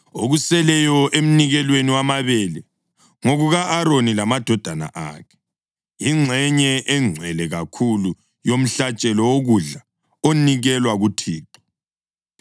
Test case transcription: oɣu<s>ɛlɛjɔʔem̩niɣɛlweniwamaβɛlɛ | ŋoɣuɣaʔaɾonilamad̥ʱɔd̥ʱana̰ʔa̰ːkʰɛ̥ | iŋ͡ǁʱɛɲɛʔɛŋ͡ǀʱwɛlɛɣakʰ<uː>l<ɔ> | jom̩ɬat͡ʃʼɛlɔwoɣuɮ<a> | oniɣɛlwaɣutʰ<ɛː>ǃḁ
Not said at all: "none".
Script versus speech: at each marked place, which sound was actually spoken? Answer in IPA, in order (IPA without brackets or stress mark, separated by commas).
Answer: s, u, u, a, iː